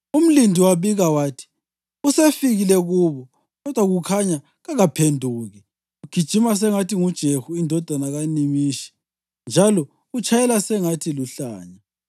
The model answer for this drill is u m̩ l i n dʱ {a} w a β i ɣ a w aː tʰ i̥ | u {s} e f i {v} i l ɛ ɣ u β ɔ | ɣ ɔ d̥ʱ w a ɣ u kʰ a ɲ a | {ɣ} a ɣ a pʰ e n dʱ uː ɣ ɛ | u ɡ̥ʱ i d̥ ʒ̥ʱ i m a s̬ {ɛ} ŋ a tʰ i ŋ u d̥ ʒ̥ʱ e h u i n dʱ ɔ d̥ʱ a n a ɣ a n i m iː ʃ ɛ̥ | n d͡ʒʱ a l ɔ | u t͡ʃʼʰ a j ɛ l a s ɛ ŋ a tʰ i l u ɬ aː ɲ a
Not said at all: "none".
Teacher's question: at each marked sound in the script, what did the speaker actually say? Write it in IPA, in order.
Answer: i, s, ɣ, ɣ, ɛ

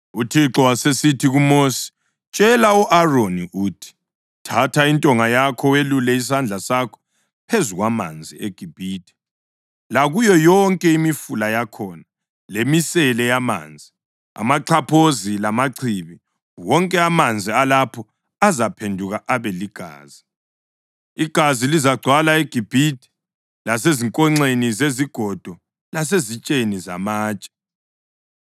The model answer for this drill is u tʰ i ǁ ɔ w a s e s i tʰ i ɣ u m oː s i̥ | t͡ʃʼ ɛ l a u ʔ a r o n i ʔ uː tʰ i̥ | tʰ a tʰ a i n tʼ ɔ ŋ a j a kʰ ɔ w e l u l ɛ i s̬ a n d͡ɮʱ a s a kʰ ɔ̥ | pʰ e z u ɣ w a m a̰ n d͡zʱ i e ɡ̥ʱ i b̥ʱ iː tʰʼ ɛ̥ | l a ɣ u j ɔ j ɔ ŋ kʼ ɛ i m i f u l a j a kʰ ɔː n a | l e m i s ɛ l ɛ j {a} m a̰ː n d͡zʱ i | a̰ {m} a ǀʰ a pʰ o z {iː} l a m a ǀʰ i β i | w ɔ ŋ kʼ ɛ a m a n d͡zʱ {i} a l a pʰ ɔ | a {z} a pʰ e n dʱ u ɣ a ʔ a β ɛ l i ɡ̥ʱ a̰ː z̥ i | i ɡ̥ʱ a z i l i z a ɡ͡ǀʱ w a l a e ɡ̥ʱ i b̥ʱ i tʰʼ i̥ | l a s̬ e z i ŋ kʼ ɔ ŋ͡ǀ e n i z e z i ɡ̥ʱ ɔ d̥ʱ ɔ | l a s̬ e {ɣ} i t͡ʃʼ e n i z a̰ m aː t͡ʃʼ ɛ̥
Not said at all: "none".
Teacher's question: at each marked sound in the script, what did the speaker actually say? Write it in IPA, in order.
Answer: a, m, i, i, z, z

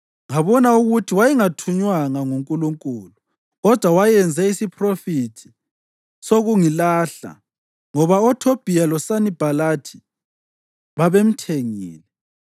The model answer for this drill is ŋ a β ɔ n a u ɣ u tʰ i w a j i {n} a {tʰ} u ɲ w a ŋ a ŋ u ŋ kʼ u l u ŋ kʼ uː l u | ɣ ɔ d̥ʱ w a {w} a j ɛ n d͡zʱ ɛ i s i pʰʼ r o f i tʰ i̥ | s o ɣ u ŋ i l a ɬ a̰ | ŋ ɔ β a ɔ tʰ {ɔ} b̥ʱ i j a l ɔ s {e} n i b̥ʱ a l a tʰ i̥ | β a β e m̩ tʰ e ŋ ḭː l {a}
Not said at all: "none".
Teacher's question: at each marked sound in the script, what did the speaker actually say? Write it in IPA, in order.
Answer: ŋ, tʰ, w, o, a, ɛ

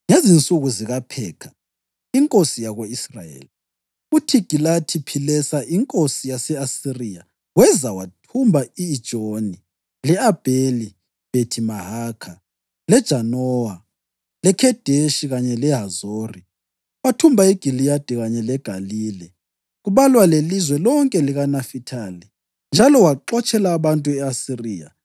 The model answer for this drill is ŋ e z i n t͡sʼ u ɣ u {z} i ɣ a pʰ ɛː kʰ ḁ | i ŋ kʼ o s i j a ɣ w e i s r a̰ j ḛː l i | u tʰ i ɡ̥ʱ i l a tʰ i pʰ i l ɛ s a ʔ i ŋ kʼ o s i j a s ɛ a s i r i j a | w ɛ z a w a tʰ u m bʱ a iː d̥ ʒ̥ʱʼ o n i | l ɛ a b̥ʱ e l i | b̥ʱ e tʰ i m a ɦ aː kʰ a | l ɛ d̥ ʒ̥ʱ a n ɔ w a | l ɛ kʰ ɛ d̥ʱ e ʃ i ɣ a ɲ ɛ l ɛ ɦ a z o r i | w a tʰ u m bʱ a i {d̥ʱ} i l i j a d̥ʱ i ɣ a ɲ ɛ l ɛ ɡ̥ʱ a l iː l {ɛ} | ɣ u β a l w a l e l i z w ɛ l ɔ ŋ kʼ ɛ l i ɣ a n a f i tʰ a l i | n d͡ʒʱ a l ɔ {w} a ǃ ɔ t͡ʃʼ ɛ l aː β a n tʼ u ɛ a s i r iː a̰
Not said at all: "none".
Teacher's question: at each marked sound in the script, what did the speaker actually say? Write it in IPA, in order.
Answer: z, ɡ̥ʱ, ɛ, w

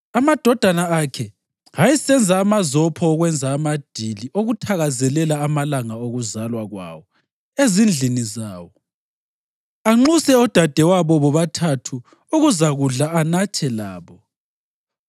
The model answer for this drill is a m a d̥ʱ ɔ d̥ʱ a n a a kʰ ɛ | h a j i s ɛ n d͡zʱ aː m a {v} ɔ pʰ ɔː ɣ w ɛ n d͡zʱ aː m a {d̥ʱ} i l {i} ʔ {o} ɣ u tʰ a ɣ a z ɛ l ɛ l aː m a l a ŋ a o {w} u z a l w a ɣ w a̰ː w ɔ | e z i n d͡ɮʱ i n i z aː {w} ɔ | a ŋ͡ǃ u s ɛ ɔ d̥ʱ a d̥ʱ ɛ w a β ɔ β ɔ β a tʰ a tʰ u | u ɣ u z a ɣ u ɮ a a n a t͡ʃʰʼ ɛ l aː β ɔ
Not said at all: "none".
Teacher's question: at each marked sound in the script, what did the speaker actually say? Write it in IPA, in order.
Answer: z, d̥ʱ, i, o, ɣ, w

